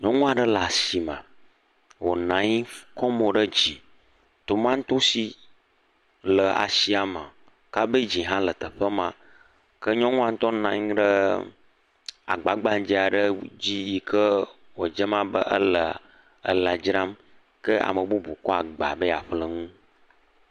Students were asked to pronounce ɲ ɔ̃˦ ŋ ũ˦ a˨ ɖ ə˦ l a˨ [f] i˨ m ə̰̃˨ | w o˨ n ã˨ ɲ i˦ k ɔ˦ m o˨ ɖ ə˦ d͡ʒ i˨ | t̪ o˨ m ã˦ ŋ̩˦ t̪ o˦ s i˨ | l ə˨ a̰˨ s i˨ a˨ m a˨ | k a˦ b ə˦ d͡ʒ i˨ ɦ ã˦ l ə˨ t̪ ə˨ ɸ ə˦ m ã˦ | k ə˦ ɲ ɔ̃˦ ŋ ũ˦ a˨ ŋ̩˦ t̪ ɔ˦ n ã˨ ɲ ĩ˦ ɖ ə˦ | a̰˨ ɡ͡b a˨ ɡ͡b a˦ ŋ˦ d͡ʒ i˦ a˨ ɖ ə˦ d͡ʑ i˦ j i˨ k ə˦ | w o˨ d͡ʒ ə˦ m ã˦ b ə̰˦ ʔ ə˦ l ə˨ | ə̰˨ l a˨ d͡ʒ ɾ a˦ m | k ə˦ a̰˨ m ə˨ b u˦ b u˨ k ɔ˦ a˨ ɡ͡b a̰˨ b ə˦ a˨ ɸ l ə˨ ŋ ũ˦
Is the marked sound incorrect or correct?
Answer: incorrect